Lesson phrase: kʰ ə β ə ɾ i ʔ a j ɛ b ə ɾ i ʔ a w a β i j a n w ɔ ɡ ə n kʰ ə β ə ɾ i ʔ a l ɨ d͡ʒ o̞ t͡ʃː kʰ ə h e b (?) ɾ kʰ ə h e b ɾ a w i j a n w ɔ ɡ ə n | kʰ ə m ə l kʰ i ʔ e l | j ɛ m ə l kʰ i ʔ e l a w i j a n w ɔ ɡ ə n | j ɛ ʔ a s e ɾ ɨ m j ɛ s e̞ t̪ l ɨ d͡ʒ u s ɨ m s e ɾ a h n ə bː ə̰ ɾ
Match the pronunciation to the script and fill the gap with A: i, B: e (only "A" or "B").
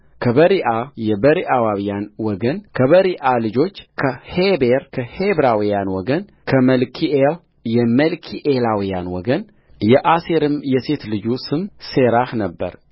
B